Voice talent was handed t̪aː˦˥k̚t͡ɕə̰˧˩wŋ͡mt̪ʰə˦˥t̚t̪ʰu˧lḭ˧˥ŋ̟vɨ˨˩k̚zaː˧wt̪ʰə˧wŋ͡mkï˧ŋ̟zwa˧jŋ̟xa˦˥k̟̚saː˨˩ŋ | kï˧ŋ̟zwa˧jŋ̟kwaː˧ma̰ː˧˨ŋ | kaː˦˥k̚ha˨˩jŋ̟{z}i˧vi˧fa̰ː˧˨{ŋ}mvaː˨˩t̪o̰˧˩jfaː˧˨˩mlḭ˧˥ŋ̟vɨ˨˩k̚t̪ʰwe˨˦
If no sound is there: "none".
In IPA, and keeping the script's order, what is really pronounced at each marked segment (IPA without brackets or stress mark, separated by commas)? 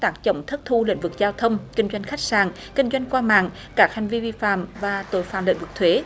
v, none